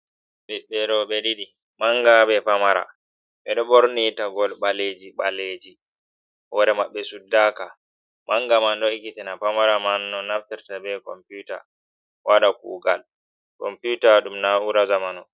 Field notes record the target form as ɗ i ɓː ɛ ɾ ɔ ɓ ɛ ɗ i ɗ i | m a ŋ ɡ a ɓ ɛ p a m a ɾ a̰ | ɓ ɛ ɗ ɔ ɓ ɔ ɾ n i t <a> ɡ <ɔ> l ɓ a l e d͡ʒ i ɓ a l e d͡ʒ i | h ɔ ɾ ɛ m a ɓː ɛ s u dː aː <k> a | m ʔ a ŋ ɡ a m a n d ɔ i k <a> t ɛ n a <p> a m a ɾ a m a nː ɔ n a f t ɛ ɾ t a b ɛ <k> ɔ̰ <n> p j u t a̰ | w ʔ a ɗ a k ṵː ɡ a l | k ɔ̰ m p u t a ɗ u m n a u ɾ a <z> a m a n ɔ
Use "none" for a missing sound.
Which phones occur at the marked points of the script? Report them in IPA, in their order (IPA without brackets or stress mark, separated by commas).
a, ɔ, k, i, p, k, m, z